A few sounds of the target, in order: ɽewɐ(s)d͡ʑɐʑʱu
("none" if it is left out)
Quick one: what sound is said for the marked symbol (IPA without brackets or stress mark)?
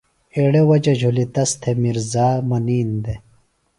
none